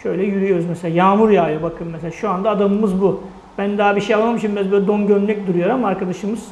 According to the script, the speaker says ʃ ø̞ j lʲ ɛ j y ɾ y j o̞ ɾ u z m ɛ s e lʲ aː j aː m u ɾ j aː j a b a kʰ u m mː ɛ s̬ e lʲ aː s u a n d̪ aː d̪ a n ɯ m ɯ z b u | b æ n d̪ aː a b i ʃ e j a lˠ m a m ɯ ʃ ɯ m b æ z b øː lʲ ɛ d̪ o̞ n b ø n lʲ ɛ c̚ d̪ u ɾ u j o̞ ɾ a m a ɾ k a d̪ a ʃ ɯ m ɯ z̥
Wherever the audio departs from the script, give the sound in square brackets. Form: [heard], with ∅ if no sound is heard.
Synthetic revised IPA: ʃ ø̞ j lʲ ɛ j y ɾ y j o̞ ɾ u z m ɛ s e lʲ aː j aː m u ɾ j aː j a b a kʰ [ɯ] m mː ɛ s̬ e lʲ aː [ʃ] u a n d̪ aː d̪ a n ɯ m ɯ z b u | b æ n d̪ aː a b i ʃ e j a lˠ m a m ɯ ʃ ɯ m b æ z b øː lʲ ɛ d̪ o̞ n [ɟ] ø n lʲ ɛ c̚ d̪ u ɾ u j o̞ ɾ a m a ɾ k a d̪ a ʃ ɯ m ɯ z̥